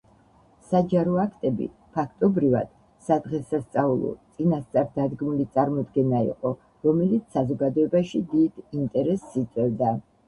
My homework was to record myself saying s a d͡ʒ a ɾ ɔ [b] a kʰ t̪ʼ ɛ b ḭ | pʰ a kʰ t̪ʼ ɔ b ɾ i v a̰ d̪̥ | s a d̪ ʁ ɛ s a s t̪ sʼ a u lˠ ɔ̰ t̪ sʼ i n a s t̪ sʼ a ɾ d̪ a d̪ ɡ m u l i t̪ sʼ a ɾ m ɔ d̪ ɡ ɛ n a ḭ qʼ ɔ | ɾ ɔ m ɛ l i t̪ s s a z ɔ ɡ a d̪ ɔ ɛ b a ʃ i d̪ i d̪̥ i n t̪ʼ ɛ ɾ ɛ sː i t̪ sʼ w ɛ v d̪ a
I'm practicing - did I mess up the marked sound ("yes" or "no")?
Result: yes